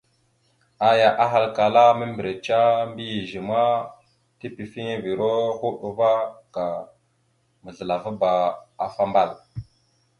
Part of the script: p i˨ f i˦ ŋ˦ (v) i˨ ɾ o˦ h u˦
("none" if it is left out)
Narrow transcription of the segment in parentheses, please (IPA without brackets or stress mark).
v